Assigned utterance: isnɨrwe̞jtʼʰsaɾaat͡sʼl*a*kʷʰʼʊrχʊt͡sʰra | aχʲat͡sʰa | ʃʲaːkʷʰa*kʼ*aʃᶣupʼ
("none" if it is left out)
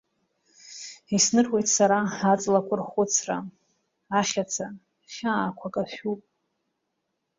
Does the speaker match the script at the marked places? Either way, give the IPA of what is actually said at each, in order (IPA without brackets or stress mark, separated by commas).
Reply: a, kʼ